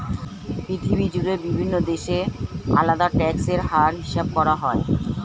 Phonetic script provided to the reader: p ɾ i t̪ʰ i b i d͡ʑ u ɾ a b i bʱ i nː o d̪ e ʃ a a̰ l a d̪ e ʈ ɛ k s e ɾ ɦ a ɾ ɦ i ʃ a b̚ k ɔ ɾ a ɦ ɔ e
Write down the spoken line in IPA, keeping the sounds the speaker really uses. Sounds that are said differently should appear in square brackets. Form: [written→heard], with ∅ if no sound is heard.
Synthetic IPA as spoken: p ɾ i t̪ʰ i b i d͡ʑ u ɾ [a→e] b i bʱ i nː o d̪ e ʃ [a→e] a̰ l a d̪ [e→a] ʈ ɛ k s e ɾ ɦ a ɾ ɦ i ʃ a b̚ k ɔ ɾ a ɦ ɔ e